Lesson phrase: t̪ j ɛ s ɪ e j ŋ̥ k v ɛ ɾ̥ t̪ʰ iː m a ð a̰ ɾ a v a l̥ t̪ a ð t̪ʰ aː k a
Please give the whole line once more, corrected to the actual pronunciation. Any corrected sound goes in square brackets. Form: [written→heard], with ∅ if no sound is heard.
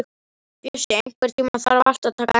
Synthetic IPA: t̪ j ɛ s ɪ e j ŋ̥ k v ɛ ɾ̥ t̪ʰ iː m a [ð→θ] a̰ ɾ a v a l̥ t̪ a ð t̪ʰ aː k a